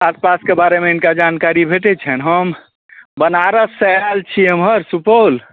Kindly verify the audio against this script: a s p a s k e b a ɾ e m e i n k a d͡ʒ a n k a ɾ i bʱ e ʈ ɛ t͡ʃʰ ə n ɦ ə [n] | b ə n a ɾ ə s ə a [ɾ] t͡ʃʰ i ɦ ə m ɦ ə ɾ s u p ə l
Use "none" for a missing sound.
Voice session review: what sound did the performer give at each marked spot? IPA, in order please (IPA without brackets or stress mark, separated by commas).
m, l